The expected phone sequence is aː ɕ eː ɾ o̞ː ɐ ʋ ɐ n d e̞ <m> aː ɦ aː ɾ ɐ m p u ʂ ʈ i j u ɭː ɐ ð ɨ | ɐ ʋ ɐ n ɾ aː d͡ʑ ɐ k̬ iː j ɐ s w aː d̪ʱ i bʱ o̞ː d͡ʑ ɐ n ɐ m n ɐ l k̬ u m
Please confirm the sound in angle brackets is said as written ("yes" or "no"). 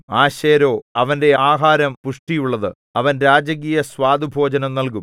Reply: no